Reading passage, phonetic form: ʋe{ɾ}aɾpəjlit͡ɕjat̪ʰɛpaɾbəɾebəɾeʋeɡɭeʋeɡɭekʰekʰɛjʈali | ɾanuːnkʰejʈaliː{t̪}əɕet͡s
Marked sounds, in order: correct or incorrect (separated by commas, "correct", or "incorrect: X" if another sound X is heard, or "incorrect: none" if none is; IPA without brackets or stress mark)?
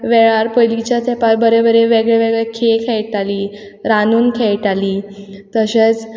incorrect: ɭ, correct